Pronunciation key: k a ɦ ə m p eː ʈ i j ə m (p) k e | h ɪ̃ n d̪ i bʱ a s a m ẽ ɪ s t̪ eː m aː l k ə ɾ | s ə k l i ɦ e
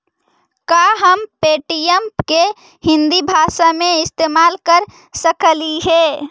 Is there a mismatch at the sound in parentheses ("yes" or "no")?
no